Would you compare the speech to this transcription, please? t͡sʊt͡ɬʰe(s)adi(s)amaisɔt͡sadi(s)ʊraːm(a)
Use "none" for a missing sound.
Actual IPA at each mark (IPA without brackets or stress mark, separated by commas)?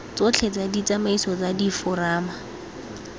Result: t͡s, t͡s, f, a